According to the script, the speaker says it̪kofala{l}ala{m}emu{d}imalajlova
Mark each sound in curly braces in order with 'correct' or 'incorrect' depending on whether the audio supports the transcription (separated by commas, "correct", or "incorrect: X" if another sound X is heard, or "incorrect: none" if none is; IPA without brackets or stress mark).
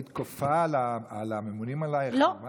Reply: incorrect: none, correct, incorrect: n